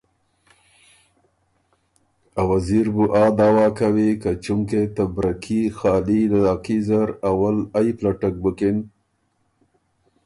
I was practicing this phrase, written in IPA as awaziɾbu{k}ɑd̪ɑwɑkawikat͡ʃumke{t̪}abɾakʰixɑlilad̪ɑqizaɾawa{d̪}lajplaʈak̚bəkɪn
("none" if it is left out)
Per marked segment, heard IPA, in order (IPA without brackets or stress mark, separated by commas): ʔ, t̪, none